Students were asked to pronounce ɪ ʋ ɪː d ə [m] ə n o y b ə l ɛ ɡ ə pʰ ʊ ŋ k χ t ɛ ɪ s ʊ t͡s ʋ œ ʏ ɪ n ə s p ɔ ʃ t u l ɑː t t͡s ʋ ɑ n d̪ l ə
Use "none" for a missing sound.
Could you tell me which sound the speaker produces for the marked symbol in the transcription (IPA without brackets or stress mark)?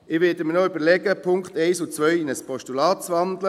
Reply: m